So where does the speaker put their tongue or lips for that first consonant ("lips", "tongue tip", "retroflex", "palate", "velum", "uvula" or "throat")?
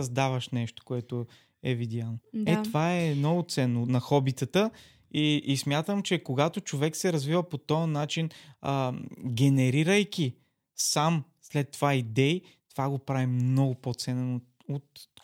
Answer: tongue tip